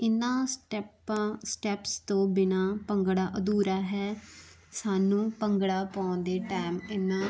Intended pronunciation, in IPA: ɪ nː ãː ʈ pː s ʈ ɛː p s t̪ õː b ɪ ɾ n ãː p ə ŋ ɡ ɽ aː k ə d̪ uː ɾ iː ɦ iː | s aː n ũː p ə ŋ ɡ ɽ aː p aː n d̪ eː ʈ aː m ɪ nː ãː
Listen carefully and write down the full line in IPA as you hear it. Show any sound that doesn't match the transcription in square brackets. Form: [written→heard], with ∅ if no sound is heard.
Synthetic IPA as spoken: ɪ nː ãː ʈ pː s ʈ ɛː p s t̪ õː b ɪ [ɾ→∅] n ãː p ə ŋ ɡ ɽ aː [k→ʔ] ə d̪ uː ɾ [iː→aː] ɦ [iː→ɛː] | s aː n ũː p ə ŋ ɡ ɽ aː p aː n d̪ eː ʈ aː m ɪ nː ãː